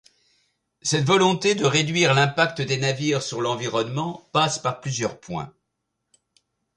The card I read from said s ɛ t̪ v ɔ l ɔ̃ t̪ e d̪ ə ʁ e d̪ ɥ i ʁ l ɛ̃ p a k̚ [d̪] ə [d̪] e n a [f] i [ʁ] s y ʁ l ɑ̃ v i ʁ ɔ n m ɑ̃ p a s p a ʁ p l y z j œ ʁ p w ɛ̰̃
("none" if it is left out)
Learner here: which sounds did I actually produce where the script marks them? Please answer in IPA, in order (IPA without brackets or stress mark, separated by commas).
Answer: t̪, d̪, v, ʁ